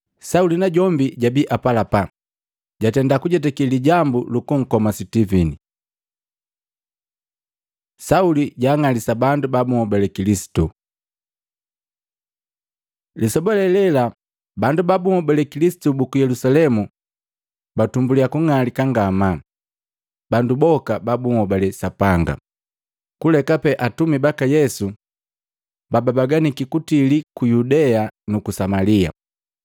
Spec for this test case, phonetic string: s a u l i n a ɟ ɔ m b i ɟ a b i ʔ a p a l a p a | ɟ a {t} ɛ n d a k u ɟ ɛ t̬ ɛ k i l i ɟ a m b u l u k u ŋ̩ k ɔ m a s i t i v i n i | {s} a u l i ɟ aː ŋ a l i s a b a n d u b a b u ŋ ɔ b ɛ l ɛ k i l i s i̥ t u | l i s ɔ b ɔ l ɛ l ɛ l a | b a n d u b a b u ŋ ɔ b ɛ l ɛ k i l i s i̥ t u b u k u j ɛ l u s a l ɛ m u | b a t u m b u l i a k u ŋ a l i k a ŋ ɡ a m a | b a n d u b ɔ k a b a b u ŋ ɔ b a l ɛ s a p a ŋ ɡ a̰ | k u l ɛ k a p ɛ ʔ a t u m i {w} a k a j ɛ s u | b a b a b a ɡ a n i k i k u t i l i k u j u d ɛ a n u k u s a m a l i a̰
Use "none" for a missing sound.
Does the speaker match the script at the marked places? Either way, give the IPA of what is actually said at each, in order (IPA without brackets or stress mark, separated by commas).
t, s, b